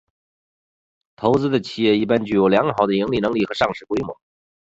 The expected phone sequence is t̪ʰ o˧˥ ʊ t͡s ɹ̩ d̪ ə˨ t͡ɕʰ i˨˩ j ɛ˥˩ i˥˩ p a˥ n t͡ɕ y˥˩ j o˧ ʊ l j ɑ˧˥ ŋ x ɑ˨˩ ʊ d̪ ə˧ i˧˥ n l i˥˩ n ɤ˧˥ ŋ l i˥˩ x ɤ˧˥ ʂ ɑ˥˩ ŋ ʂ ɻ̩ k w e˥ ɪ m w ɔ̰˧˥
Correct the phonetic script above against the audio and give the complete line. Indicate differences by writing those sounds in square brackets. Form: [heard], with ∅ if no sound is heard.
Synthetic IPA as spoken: t̪ʰ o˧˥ ʊ t͡s ɹ̩ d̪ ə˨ t͡ɕʰ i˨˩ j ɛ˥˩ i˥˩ p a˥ n t͡ɕ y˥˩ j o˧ ʊ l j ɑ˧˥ ŋ x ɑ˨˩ ʊ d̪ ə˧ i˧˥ [ŋ] l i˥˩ n ɤ˧˥ ŋ l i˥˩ x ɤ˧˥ ʂ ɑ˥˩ ŋ ʂ ɻ̩ k w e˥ ɪ m w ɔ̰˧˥